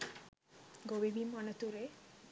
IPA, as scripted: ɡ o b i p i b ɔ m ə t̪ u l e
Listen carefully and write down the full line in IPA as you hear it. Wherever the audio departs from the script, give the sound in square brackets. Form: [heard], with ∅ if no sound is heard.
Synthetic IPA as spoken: ɡ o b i [b] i [m] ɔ [n] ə t̪ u [ɾ] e

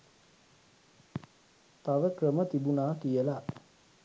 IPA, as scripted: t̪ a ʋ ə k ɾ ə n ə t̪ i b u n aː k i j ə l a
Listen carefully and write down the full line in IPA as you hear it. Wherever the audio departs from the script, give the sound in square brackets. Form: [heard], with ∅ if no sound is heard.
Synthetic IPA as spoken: t̪ a ʋ ə k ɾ ə [m] ə t̪ i b u n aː k i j ə l a

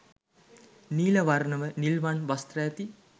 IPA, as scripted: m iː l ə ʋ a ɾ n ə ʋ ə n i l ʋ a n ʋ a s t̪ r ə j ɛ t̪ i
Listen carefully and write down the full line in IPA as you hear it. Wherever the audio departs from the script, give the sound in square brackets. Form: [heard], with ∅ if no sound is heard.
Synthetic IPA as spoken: [n] iː l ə ʋ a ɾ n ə ʋ ə n i l ʋ a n ʋ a s t̪ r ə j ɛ t̪ i

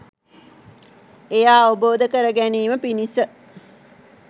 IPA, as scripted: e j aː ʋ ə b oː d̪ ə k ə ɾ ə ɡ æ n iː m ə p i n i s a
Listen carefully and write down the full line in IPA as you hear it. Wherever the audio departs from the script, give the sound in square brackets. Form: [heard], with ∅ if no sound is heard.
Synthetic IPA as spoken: e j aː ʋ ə b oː d̪ ə k ə ɾ ə ɡ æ n iː m ə p i n i s [ə]

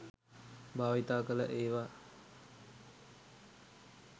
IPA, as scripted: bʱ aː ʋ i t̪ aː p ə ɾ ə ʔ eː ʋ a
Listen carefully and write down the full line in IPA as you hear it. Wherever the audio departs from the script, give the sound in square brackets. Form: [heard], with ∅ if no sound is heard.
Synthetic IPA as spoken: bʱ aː ʋ i t̪ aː [k] ə [l] ə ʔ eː ʋ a

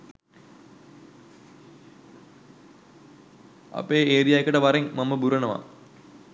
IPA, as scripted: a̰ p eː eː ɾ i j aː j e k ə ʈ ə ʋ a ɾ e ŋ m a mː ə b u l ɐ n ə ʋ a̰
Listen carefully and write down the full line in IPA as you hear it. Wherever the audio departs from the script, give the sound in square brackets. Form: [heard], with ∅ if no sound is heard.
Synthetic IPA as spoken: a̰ p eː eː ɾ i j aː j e k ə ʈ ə ʋ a ɾ e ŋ m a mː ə b u [ɾ] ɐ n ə ʋ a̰

